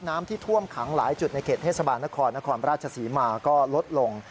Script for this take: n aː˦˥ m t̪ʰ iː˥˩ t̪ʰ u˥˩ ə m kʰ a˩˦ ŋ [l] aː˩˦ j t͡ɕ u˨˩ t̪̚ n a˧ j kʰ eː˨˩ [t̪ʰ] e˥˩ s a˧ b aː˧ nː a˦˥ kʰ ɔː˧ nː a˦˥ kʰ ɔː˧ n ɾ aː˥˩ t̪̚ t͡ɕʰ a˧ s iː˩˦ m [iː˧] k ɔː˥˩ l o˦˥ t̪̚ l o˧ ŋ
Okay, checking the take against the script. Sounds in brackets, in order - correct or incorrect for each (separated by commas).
correct, correct, incorrect